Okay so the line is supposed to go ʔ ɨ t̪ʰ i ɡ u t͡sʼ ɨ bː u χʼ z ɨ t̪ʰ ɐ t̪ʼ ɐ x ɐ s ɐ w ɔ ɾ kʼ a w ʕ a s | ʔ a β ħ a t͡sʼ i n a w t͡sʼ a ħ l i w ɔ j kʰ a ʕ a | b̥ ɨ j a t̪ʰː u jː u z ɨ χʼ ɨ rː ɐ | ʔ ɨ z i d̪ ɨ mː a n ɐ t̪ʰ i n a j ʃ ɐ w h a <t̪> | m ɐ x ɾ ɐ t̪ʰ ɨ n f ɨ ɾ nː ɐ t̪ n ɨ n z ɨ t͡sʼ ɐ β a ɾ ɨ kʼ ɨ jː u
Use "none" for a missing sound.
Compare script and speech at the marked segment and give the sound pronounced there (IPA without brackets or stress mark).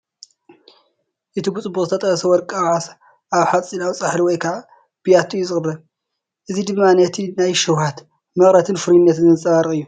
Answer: t̪